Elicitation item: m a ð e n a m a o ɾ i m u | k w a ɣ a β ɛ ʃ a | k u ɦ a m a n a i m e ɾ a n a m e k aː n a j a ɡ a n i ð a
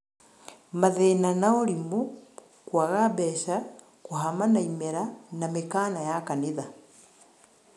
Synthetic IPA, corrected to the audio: m a ð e n a n a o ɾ i m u | k w a ɣ a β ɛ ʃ a | k u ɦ a m a n a i m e ɾ a n a m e k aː n a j a k a n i ð a